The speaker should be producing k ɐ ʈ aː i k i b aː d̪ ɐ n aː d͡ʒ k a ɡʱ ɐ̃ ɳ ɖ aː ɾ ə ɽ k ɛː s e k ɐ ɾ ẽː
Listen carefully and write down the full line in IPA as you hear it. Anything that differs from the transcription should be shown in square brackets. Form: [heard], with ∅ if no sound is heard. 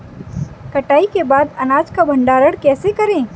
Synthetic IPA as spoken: k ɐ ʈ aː i k [e] b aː d̪ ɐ n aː d͡ʒ k a [bʱ] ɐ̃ ɳ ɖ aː ɾ ə ɽ k ɛː s e k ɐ ɾ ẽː